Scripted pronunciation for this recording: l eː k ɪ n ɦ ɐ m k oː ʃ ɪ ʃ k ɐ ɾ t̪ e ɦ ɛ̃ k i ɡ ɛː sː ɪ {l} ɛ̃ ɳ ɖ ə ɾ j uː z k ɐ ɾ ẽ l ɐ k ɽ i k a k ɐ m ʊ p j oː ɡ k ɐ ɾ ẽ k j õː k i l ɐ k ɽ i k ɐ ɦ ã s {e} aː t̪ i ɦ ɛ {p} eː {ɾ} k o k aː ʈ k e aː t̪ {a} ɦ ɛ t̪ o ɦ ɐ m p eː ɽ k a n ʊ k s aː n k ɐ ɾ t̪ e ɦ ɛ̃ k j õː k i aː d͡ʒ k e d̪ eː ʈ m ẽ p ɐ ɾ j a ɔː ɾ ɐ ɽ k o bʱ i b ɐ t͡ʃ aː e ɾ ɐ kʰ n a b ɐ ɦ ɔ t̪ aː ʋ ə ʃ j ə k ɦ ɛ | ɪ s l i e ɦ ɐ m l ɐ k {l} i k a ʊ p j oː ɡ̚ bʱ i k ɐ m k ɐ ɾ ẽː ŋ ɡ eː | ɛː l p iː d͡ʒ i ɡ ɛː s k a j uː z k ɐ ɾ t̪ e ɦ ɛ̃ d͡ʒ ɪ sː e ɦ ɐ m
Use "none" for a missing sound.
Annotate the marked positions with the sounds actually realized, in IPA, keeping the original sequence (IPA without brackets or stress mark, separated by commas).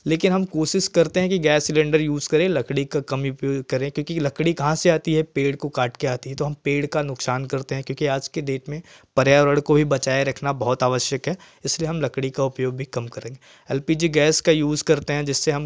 l, e, p, ɽ, i, ɽ